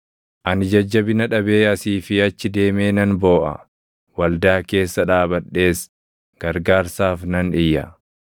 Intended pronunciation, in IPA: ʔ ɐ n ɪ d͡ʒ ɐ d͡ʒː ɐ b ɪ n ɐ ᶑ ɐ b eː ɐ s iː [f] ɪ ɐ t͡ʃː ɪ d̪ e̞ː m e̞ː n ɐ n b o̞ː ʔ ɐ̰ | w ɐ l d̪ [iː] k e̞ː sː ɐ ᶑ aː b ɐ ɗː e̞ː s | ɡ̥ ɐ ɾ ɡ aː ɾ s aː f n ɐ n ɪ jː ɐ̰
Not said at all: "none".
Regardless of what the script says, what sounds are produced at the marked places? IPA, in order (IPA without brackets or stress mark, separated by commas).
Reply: f, aː